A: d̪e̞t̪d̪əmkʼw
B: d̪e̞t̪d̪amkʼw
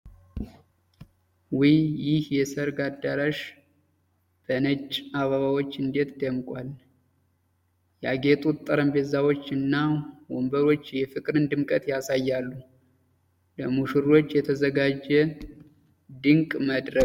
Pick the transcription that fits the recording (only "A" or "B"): A